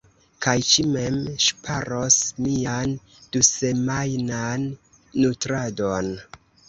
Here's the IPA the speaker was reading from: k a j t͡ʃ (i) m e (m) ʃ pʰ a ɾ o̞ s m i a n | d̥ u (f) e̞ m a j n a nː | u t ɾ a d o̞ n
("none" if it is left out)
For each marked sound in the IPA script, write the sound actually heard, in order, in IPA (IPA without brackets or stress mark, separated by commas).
i, m, s